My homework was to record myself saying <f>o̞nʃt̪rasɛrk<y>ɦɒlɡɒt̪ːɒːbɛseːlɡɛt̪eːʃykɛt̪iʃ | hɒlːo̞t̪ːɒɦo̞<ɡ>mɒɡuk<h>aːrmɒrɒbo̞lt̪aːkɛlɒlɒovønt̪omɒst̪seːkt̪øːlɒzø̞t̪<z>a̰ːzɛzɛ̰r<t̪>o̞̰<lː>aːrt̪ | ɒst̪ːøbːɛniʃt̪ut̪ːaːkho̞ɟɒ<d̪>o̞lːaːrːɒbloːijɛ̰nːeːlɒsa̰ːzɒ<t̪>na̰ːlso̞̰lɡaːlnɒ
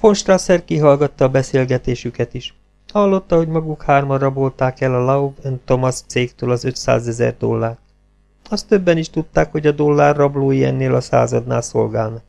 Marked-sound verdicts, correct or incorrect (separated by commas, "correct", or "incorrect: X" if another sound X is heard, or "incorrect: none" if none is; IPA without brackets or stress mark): correct, incorrect: i, incorrect: ɟ, correct, incorrect: s, incorrect: d̪, correct, correct, incorrect: d̪